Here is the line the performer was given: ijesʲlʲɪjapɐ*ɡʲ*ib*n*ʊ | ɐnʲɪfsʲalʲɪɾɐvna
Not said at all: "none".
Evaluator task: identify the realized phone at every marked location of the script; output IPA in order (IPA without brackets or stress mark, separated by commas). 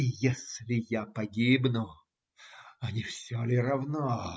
ɡʲ, n